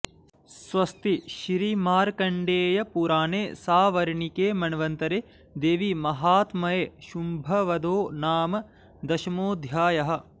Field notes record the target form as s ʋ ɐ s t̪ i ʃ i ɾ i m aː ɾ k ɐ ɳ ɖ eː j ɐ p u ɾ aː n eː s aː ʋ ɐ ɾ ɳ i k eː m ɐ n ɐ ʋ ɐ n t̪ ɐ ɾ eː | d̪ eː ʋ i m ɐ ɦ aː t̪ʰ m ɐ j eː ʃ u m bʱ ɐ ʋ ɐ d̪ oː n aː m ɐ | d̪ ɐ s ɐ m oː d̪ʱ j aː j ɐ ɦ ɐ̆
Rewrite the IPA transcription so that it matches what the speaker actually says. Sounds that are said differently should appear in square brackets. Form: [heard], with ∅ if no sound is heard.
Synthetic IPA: s ʋ ɐ s t̪ i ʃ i ɾ i m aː ɾ k ɐ ɳ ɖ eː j ɐ p u ɾ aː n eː s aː ʋ ɐ ɾ ɳ i k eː m ɐ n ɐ ʋ ɐ n t̪ ɐ ɾ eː | d̪ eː ʋ i m ɐ ɦ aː [t̪] m ɐ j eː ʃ u m bʱ ɐ ʋ ɐ d̪ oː n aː m ɐ | d̪ ɐ [ʃ] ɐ m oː d̪ʱ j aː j ɐ ɦ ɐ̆

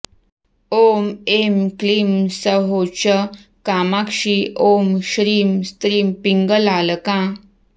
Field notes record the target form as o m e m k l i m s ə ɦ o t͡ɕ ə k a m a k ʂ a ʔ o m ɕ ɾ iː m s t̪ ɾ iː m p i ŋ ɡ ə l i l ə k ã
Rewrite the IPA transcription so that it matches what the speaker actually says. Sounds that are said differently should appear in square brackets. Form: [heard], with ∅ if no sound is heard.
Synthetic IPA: o m e m k l i m s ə ɦ o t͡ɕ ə k a m a k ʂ [i] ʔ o m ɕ ɾ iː m s t̪ ɾ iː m p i ŋ ɡ ə l [a] l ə k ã

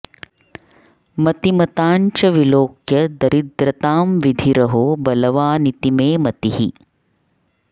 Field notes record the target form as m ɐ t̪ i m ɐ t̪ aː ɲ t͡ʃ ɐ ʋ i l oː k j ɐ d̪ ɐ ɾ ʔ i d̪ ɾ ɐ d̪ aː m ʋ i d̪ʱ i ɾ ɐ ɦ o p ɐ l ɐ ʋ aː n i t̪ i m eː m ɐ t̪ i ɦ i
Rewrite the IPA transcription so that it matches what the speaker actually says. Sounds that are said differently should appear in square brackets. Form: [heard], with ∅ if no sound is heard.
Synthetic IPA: m ɐ t̪ i m ɐ t̪ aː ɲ t͡ʃ ɐ ʋ i l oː k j ɐ d̪ ɐ ɾ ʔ i d̪ ɾ ɐ [t̪] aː m ʋ i d̪ʱ i ɾ ɐ ɦ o [b] ɐ l ɐ ʋ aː n i t̪ i m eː m ɐ t̪ i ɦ i

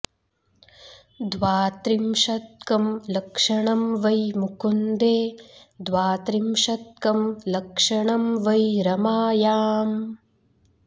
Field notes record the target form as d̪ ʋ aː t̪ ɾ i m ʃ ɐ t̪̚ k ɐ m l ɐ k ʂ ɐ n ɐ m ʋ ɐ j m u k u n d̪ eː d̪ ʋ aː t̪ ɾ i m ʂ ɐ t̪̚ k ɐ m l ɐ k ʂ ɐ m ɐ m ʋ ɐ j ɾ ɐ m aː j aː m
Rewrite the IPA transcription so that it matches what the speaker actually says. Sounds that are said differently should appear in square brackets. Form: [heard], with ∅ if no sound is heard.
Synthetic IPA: d̪ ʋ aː t̪ ɾ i m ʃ ɐ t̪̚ k ɐ m l ɐ k ʂ ɐ [ɳ] ɐ m ʋ ɐ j m u k u n d̪ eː d̪ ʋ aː t̪ ɾ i m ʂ ɐ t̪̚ k ɐ m l ɐ k ʂ ɐ [ɳ] ɐ m ʋ ɐ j ɾ ɐ m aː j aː m

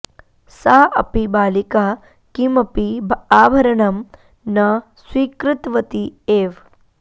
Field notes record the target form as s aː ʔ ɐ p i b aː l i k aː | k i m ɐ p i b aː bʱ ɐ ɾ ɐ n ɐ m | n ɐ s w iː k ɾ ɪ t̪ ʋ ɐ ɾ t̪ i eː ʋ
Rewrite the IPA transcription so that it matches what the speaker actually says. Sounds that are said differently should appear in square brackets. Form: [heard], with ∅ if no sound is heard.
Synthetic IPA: s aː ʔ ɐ p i b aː l i k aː | k i m ɐ p i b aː bʱ ɐ ɾ ɐ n ɐ m | n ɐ s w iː k ɾ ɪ t̪ ʋ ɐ [∅] t̪ i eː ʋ

